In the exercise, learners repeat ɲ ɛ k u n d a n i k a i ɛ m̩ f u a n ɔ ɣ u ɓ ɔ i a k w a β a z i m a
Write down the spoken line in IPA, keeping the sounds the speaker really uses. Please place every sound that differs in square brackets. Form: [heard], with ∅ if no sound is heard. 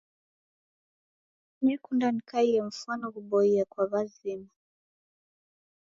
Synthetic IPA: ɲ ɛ k u n d a n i k a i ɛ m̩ f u a n ɔ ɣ u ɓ ɔ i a k w a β a z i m a

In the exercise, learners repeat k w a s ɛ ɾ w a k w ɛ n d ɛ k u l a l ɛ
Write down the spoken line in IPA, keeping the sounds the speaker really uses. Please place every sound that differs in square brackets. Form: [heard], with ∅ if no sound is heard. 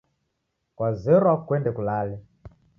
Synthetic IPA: k w a [z] ɛ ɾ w a k w ɛ n d ɛ k u l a l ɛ

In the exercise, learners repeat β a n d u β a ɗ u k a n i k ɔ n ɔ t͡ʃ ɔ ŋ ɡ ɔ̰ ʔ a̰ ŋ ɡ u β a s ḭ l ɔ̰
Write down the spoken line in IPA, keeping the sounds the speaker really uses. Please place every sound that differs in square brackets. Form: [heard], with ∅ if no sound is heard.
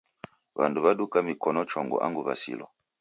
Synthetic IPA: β a n d u β a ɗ u k a [m] i k ɔ n ɔ t͡ʃ ɔ ŋ ɡ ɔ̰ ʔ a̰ ŋ ɡ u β a s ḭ l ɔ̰

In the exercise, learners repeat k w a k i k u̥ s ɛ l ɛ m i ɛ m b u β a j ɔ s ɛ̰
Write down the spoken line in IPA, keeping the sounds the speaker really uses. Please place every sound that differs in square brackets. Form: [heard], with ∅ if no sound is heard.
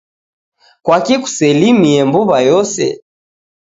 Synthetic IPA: k w a k i k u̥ s ɛ l [i] m i ɛ m b u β a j ɔ s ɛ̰

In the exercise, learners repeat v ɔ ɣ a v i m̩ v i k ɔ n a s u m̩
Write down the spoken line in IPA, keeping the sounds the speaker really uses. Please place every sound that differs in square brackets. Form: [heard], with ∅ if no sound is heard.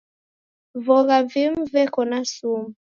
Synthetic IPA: v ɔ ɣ a v i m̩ v [ɛ] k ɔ n a s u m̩

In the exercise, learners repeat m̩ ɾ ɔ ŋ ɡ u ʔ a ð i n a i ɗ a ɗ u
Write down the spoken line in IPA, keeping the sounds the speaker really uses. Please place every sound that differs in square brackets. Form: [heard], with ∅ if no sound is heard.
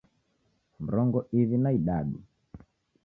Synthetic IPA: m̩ ɾ ɔ ŋ ɡ [ɔ] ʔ [i] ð i n a i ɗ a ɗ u

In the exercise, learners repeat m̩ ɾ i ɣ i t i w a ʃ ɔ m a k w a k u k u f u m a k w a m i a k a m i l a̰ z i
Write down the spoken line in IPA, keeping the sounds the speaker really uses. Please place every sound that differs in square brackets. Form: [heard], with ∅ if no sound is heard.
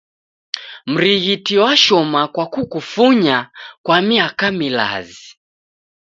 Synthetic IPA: m̩ ɾ i ɣ i t i w a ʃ ɔ m a k w a k u k u f u [ɲ] a k w a m i a k a m i l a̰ z i

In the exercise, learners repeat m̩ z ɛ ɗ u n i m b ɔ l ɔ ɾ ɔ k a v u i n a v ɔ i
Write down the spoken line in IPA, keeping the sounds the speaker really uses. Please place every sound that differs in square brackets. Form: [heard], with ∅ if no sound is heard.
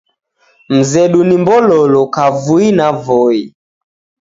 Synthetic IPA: m̩ z ɛ ɗ u n i m b ɔ l ɔ [l] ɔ k a v u i n a v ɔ i

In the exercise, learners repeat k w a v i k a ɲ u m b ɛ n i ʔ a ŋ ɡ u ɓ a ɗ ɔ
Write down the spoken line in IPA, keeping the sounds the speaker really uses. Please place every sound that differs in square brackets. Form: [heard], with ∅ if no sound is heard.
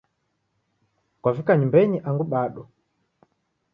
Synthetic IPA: k w a v i k a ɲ u m b ɛ [ɲ] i ʔ a ŋ ɡ u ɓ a ɗ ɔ

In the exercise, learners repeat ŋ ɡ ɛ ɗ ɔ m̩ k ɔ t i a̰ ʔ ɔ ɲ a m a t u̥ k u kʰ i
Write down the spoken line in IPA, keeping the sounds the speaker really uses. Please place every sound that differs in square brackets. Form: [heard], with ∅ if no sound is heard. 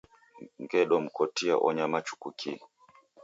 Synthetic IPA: ŋ ɡ ɛ ɗ ɔ m̩ k ɔ t i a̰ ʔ ɔ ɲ a m a [t͡ʃ] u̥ k u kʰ i

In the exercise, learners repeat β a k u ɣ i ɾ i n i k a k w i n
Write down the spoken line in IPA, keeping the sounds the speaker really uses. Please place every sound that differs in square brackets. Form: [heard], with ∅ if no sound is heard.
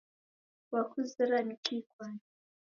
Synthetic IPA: [w] a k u [z] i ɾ [a] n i k [i] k w [a] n

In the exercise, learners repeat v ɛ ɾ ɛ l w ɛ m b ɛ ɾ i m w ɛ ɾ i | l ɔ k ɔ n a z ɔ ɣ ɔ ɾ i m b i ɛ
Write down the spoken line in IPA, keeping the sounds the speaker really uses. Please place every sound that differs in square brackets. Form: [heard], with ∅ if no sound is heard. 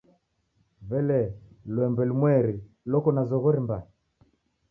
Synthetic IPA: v ɛ [l] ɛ l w ɛ m b ɛ [l] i m w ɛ ɾ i | l ɔ k ɔ n a z ɔ ɣ ɔ ɾ i m b [a] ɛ

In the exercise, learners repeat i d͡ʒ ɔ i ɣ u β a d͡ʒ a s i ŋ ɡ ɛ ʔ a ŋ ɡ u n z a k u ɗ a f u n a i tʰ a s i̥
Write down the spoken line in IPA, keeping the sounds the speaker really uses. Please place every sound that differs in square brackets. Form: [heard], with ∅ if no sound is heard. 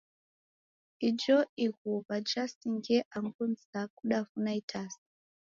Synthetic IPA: i d͡ʒ ɔ i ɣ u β a d͡ʒ a s i ŋ ɡ ɛ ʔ a ŋ ɡ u n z a k u ɗ a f u n a i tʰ a s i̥

